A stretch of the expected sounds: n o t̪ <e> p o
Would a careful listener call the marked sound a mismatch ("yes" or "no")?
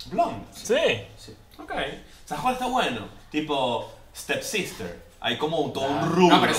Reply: yes